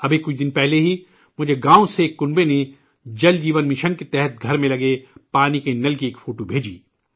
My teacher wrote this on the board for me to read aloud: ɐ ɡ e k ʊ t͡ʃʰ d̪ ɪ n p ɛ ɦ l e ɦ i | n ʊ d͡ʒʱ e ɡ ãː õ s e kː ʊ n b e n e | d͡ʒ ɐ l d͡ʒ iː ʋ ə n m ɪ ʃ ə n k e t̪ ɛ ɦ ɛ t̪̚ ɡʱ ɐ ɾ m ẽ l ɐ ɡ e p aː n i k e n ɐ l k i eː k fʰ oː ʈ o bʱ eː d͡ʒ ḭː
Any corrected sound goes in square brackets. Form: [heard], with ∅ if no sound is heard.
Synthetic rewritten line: ɐ [b] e k ʊ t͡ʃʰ d̪ ɪ n p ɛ ɦ l e ɦ i | [m] ʊ d͡ʒʱ e ɡ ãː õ s e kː ʊ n b e n e | d͡ʒ ɐ l d͡ʒ iː ʋ ə n m ɪ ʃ ə n k e t̪ ɛ ɦ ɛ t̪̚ ɡʱ ɐ ɾ m ẽ l ɐ ɡ e p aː n i k e n ɐ l k i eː k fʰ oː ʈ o bʱ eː d͡ʒ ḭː